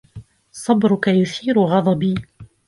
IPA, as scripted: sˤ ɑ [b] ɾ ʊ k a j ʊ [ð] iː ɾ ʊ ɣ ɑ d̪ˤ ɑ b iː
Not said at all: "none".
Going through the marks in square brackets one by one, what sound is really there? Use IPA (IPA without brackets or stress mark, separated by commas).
b, θ